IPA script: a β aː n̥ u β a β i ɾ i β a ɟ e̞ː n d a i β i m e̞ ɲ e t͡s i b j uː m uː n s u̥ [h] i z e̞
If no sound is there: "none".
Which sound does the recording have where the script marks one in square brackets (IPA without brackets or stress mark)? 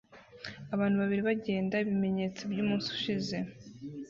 ʃ